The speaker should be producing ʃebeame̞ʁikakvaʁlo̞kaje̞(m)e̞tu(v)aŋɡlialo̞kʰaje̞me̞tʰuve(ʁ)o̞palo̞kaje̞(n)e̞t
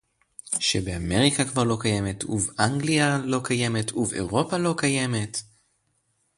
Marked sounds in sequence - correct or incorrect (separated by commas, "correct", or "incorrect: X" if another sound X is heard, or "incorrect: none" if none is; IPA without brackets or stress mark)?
correct, correct, correct, incorrect: m